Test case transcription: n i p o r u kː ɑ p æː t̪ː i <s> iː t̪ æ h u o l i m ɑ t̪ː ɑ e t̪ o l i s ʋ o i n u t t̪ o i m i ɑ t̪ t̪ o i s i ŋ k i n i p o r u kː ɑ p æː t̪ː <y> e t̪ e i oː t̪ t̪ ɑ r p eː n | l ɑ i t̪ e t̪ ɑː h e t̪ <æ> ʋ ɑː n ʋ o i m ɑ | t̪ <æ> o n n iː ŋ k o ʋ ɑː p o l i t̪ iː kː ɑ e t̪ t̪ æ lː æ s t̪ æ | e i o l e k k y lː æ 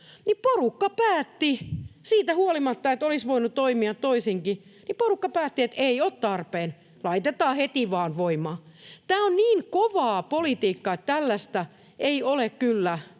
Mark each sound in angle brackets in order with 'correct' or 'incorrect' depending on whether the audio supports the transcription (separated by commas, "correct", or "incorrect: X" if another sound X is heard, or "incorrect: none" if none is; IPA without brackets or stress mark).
correct, incorrect: i, incorrect: i, incorrect: æː